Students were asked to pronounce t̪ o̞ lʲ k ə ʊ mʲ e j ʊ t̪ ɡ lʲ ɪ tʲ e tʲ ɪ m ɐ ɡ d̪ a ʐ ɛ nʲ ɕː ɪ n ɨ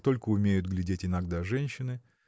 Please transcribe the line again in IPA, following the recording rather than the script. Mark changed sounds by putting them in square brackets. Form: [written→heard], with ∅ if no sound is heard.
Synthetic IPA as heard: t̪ o̞ lʲ k ə ʊ mʲ e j ʊ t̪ ɡ lʲ ɪ [tʲ→dʲ] e tʲ ɪ [m→n] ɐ ɡ d̪ a ʐ ɛ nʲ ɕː ɪ n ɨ